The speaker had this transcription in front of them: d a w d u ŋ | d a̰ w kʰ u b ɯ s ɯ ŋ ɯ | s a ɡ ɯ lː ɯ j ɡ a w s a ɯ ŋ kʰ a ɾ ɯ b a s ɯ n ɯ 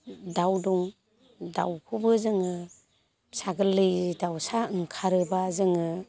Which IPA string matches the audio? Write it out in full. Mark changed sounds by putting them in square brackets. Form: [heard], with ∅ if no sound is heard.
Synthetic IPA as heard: d a w d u ŋ | d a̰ w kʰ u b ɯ [z] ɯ ŋ ɯ | s a ɡ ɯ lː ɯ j [d] a w s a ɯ ŋ kʰ a ɾ ɯ b a [z] ɯ [ŋ] ɯ